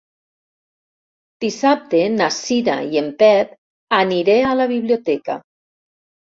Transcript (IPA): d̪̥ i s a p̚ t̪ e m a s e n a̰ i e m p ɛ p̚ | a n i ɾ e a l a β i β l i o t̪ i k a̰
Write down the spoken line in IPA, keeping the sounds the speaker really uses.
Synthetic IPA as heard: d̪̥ i s a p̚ t̪ e n a s i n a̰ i e m p ɛ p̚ | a n i ɾ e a l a β i β l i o t̪ ɛ k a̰

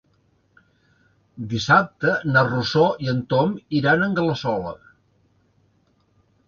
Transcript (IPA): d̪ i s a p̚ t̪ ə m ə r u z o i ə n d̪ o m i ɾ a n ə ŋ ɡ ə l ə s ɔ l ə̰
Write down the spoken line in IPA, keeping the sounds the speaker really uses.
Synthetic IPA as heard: d̪ i s a p̚ t̪ ə n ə r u s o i ə n t̪ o m i ɾ a n ə ŋ ɡ ə l ə s ɔ l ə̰

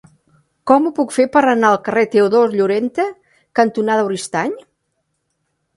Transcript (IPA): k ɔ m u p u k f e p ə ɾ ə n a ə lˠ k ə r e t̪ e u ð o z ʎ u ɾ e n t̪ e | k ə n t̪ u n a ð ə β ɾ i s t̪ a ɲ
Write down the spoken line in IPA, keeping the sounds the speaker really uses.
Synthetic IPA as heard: k ɔ m u p u k f e p ə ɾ ə n a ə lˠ k ə r e t̪ e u ð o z ʎ u ɾ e n t̪ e | k ə n t̪ u n a ð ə w ɾ i s t̪ a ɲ

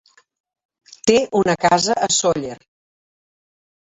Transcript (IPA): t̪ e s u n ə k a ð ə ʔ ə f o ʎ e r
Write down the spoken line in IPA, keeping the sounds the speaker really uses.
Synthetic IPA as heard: t̪ e u n ə k a z ə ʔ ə s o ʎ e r

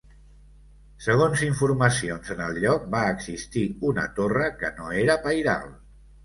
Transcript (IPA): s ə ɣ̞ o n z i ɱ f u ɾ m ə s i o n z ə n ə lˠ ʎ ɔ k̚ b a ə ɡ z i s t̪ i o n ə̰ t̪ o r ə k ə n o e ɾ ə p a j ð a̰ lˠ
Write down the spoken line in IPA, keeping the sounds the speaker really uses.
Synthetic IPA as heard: s ə ɣ̞ o n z i ɱ f u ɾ m ə s i o n z ə n ə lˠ ʎ ɔ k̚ b a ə ɡ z i s t̪ i u n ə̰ t̪ o r ə k ə n o e ɾ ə p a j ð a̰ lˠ

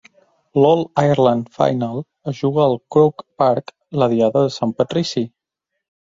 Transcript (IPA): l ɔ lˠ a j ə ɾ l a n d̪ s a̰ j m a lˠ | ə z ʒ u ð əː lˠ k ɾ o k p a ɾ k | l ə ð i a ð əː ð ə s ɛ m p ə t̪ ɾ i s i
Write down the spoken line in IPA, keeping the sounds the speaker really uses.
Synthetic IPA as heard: l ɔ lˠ a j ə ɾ l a n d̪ f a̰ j n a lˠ | ə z ʒ u ɣ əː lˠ k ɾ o k p a ɾ k | l ə ð i a ð ə ð ə s a m p ə t̪ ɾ i s i

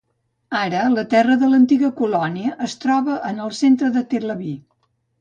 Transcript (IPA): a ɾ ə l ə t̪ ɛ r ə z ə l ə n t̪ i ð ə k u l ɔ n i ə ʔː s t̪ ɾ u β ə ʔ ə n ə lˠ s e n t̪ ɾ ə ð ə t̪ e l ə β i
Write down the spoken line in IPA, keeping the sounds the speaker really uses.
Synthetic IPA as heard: a ɾ ə l ə t̪ ɛ r ə ð ə l ə n t̪ i ɣ ə k u l ɔ n i ə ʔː s t̪ ɾ ɔ β ə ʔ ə n ə lˠ s e n t̪ ɾ ə ð ə t̪ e l ə β i

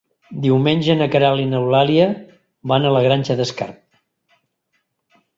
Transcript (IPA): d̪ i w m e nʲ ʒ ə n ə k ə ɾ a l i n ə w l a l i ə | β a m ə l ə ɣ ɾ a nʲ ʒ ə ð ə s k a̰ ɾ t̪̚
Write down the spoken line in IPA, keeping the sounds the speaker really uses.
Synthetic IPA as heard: d̪ i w m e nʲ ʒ ə n ə k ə ɾ a l i n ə w l a l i ə | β a n ə l ə ɣ ɾ a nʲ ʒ ə ð ə s k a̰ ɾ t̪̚

